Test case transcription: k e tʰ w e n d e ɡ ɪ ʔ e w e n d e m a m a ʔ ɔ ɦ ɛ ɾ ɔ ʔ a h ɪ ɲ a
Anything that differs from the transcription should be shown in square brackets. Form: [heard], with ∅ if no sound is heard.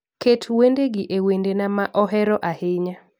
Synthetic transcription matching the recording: k e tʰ w e n d e ɡ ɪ ʔ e w e n d e [n] a m a ʔ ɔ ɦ ɛ ɾ ɔ ʔ a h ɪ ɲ a